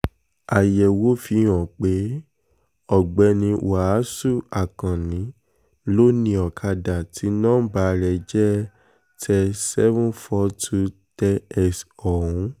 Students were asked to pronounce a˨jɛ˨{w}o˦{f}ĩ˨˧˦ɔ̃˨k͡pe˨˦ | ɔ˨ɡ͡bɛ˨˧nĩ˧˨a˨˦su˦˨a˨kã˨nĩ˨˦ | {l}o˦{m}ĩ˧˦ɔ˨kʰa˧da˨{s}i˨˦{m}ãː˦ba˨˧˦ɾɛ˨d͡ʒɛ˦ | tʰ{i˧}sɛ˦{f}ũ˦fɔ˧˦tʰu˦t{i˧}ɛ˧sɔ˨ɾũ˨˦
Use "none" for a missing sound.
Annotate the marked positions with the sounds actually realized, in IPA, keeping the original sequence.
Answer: w, f, l, n, t, n, ɛ˧, v, ɛ˧

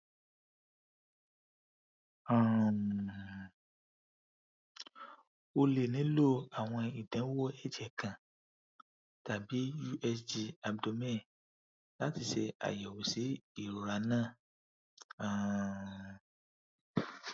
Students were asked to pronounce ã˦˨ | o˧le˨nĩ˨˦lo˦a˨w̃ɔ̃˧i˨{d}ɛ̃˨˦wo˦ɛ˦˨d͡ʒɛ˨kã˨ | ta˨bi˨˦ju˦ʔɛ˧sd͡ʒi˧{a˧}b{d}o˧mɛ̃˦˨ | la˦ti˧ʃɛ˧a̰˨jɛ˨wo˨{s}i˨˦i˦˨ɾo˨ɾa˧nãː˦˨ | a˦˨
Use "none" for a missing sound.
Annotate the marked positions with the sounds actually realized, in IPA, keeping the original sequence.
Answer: d, a˧, d, s

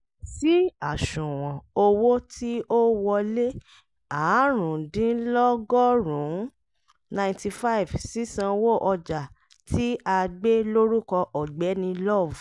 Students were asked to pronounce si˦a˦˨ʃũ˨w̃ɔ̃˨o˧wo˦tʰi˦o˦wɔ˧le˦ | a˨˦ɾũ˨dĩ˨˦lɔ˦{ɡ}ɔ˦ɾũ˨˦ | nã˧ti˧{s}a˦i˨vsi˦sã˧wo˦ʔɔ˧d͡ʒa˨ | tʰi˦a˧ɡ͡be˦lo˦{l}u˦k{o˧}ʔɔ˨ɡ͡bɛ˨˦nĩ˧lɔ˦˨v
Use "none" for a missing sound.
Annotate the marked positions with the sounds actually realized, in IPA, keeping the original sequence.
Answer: ɡ, f, ɾ, ɔ˧

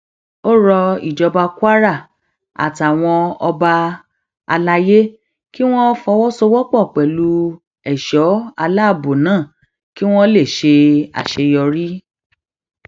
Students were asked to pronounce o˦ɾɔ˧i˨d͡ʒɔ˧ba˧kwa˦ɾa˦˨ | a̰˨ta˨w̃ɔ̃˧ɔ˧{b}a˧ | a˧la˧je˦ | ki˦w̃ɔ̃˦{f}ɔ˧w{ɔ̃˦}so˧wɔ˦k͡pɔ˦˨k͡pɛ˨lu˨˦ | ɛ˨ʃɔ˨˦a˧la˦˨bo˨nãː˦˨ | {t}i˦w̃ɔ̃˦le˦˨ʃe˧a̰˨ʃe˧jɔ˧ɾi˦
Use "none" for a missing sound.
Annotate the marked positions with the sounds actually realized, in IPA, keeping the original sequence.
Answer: b, f, ɔ˦, k

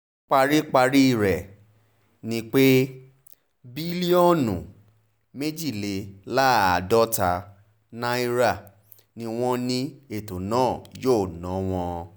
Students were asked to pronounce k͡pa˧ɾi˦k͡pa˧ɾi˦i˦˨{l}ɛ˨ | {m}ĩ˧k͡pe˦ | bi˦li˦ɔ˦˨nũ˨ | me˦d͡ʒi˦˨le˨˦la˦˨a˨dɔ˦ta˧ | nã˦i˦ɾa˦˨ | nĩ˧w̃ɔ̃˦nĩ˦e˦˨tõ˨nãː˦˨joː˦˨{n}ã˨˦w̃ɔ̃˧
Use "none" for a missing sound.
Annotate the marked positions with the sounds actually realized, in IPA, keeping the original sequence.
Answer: ɾ, n, n

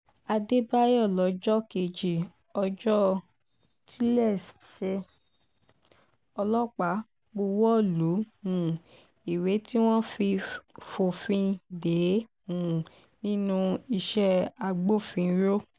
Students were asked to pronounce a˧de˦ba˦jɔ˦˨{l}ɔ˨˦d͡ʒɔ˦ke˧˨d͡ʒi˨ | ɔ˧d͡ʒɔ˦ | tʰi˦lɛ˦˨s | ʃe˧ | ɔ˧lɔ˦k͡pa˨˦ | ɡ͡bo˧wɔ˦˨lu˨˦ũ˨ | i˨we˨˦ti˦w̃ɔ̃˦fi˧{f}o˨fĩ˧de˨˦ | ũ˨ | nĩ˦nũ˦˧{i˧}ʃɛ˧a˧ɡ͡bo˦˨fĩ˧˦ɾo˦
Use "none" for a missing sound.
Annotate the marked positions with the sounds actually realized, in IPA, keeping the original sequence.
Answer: l, f, i˧

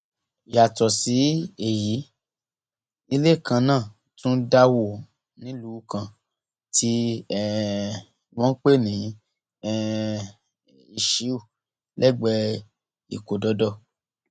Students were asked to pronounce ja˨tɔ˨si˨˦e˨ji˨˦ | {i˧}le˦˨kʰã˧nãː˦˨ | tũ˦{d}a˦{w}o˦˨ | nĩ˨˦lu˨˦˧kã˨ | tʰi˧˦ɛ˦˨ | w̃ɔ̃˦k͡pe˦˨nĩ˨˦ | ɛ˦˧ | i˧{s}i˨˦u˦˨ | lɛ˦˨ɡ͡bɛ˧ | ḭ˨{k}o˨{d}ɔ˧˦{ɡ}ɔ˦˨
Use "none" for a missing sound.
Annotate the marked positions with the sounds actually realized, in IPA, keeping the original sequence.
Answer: i˧, d, w, ʃ, k, d, d

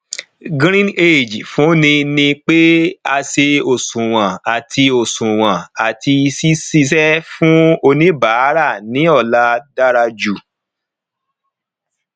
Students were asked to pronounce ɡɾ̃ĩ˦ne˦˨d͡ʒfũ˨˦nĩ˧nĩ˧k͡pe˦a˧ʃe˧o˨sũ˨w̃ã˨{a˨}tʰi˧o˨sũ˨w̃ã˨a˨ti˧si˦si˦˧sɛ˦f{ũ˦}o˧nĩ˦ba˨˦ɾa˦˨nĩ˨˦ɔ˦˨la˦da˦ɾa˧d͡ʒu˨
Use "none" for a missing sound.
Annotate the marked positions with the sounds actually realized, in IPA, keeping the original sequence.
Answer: a˨, ũ˦

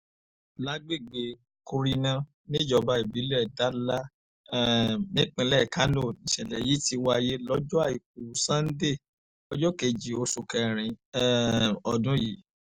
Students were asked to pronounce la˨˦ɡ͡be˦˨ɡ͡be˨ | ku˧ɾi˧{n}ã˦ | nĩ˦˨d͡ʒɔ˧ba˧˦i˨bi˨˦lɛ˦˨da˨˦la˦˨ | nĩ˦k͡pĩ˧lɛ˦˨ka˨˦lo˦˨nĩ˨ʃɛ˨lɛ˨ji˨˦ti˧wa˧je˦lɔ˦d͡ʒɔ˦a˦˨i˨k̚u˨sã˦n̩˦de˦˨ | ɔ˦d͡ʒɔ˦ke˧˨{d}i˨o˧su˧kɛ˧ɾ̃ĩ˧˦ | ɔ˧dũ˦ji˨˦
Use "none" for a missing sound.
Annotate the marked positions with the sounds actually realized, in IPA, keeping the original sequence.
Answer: n, d͡ʒ

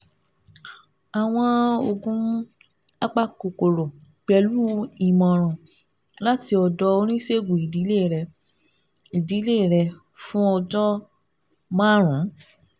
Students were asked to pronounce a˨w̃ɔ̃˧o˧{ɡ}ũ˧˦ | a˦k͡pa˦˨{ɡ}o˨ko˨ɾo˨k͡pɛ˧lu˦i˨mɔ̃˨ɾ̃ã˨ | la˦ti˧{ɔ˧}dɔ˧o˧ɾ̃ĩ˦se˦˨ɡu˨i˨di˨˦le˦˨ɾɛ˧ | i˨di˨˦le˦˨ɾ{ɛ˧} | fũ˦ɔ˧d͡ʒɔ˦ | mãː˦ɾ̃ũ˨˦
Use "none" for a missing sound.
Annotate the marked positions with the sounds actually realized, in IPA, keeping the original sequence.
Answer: ɡ, k, ɔ˧, ɛ˧

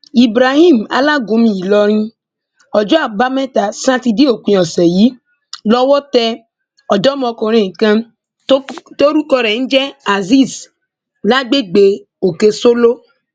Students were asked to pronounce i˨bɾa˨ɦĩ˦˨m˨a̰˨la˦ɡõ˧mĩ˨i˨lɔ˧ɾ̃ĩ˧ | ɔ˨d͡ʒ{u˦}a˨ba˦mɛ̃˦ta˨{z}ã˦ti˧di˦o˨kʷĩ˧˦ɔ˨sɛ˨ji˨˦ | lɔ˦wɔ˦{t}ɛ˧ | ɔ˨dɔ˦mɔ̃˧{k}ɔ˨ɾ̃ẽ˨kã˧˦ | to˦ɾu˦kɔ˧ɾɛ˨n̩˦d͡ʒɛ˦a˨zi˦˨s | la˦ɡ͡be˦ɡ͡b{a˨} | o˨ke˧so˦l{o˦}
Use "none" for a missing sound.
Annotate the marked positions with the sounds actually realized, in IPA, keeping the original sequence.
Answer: ɔ˦, s, t, k, e˨, o˦

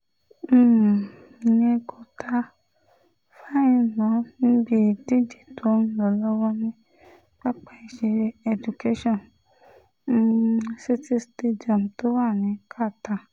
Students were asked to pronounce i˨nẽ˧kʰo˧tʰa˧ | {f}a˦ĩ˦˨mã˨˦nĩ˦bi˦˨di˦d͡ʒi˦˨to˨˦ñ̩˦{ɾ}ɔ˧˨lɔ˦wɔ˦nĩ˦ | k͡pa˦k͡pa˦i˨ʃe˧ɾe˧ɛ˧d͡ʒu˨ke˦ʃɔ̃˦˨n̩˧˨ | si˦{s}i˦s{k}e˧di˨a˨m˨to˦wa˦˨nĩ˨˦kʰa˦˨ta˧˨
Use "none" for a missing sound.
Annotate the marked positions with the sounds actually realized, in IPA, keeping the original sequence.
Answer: f, l, t, t

